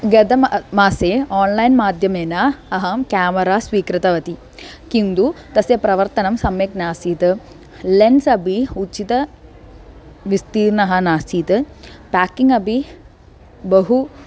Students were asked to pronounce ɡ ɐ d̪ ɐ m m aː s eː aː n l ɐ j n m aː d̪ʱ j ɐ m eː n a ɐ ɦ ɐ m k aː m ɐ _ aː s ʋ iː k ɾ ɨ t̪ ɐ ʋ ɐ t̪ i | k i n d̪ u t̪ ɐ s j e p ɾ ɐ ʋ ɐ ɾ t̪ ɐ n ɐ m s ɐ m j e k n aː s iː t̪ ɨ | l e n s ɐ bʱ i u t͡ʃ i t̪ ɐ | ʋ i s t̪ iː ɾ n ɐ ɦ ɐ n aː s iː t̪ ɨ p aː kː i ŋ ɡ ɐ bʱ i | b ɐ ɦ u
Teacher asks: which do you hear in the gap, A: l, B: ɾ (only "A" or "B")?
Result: B